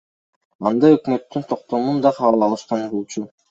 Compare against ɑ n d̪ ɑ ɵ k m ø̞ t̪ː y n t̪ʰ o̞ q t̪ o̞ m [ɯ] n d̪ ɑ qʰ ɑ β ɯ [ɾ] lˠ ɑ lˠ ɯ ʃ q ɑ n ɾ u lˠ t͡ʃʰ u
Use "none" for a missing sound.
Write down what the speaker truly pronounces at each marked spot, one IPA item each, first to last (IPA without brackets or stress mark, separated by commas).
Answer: u, none